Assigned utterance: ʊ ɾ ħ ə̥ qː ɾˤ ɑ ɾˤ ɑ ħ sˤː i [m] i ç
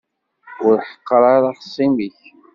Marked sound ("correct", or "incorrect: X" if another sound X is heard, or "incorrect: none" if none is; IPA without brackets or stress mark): correct